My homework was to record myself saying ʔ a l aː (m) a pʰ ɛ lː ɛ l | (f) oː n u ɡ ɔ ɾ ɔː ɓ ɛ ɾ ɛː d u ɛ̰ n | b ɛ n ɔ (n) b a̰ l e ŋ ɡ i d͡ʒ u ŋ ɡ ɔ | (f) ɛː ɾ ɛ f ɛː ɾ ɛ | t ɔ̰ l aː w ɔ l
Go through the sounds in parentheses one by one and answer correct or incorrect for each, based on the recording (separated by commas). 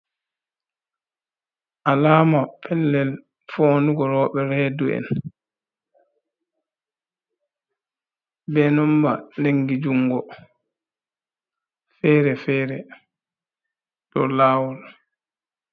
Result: correct, correct, incorrect, correct